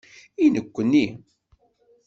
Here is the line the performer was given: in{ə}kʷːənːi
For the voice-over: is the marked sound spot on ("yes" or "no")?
yes